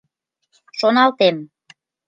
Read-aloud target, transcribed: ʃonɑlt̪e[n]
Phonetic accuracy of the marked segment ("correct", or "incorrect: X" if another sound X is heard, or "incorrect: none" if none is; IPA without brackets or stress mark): incorrect: m